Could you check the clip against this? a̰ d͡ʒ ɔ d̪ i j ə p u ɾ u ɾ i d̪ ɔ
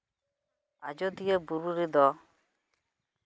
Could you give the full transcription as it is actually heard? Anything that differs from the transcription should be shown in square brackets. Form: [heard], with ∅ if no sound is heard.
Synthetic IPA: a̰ d͡ʒ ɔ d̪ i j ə [b] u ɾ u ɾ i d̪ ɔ